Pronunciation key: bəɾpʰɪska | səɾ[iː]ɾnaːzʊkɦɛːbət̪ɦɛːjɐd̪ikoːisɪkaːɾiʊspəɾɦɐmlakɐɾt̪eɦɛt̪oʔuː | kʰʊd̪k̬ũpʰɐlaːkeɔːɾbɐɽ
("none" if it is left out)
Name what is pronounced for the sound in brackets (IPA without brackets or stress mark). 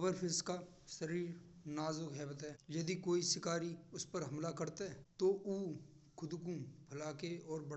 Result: iː